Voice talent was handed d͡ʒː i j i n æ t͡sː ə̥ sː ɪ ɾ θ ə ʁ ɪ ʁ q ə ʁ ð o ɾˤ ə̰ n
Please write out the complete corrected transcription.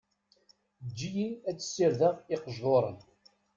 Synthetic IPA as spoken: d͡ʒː i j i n æ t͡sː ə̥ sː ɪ ɾ ð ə ʁ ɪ q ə ʒ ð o ɾˤ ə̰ n